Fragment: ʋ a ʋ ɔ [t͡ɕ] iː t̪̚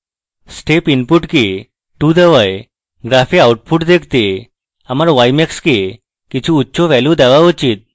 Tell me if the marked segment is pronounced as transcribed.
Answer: yes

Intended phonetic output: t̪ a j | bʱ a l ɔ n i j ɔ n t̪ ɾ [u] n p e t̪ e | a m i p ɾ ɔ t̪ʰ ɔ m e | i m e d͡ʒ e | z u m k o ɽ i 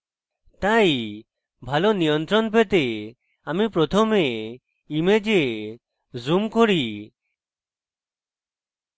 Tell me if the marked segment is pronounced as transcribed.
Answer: no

